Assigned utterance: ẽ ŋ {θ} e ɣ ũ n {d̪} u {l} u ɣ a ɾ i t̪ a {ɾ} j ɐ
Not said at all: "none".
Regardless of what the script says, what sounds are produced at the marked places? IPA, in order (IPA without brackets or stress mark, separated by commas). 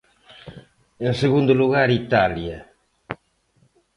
s, d̪, l, l